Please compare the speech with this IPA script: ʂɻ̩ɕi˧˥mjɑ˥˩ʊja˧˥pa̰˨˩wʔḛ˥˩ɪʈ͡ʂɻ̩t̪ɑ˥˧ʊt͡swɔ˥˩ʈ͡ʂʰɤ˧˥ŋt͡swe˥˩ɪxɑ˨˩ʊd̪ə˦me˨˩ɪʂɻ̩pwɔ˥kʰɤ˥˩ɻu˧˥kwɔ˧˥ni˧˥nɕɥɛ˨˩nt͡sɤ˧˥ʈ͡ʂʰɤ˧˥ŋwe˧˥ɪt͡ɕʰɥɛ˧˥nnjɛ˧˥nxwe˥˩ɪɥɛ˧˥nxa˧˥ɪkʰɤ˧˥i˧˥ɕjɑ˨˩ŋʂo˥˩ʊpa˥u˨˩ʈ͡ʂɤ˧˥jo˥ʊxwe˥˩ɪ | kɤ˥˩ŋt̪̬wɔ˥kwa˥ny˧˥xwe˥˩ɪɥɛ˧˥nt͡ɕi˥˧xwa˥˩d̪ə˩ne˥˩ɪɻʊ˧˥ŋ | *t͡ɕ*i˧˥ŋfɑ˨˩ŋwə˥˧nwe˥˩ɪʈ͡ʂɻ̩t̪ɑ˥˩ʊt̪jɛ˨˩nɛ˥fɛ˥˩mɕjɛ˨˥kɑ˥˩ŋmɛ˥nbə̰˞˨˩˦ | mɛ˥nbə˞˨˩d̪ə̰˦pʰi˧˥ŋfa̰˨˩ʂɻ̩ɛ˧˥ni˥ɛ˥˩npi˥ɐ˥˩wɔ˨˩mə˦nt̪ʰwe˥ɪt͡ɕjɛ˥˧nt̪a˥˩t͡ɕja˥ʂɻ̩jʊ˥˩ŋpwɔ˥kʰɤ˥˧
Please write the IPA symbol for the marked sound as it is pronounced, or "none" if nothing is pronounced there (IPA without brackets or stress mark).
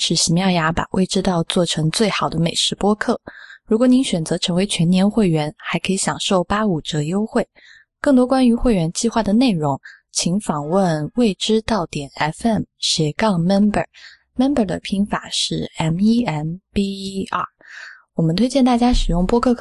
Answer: t͡ɕʰ